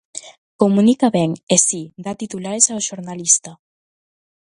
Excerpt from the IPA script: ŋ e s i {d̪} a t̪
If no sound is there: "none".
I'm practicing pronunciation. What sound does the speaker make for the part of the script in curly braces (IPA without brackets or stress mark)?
d̪